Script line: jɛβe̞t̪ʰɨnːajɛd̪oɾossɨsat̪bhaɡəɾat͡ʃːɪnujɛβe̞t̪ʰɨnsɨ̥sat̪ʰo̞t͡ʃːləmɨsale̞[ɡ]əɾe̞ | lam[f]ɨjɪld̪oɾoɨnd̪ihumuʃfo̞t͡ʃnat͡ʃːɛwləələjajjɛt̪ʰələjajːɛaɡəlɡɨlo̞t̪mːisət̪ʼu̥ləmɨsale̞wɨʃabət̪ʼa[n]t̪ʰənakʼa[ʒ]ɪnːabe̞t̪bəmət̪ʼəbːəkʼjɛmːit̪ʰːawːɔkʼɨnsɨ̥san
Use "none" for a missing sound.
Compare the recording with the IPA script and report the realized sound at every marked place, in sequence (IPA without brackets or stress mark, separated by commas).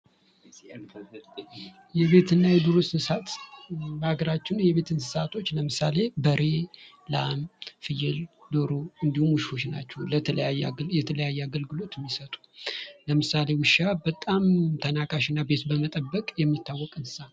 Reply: b, f, m, ʃ